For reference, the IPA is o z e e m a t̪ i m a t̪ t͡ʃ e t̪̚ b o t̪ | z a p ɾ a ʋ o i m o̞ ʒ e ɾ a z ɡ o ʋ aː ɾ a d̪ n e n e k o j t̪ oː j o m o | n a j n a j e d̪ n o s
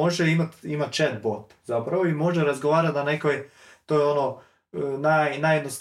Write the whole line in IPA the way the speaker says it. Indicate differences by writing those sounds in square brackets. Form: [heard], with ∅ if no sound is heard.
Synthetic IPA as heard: o [ʒ] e [i] m a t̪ i m a t̪ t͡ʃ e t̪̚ b o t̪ | z a p ɾ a ʋ o i m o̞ ʒ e ɾ a z ɡ o ʋ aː ɾ a [t̪] n [a] n e k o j t̪ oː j o [n] o | n a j n a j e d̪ n o s